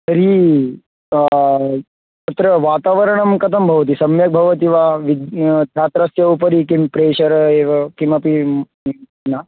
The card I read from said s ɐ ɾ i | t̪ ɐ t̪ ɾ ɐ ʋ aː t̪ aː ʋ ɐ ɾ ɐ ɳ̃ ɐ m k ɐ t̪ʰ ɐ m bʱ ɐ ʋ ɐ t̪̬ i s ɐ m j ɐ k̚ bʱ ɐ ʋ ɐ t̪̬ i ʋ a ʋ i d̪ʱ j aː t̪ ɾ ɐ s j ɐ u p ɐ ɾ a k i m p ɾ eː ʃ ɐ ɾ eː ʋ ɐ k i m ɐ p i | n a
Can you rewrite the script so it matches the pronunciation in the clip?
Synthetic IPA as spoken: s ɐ ɾ i | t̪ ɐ t̪ ɾ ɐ ʋ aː t̪ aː ʋ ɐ ɾ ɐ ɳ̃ ɐ m k ɐ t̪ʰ ɐ m bʱ ɐ ʋ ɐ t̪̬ i s ɐ m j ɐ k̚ bʱ ɐ ʋ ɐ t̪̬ i ʋ a ʋ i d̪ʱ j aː t̪ ɾ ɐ s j ɐ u p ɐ ɾ i k i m p ɾ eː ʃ ɐ ɾ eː ʋ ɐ k i m ɐ p i | n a